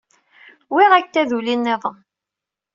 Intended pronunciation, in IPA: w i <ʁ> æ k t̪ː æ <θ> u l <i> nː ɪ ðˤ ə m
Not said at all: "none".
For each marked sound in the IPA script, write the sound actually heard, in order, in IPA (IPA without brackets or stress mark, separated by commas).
ʁ, ð, i